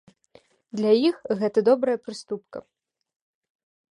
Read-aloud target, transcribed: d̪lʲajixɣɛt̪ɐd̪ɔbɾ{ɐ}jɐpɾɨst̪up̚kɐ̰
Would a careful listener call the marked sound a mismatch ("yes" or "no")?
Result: no